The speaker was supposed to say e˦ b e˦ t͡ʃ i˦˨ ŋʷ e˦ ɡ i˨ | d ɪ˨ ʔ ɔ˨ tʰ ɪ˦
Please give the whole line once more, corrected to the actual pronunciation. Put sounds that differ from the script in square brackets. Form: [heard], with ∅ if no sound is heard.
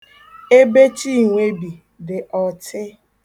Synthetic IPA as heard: e˦ b e˦ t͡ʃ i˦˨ ŋʷ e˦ [b] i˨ | d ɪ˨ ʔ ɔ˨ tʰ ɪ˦